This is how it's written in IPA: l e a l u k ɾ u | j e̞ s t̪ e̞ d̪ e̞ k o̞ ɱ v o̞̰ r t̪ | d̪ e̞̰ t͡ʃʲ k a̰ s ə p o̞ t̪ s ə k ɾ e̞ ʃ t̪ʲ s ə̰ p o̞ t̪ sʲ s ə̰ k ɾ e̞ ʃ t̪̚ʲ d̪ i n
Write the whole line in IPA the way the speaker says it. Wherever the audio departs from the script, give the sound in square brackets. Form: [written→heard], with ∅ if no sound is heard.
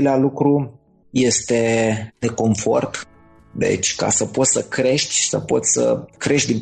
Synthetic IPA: l e a l u k ɾ u | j e̞ s t̪ e̞ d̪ e̞ k o̞ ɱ [v→f] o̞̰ r t̪ | d̪ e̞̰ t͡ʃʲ k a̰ s ə p o̞ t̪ s ə k ɾ e̞ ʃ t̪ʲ s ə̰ p o̞ t̪ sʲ s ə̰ k ɾ e̞ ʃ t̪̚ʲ d̪ i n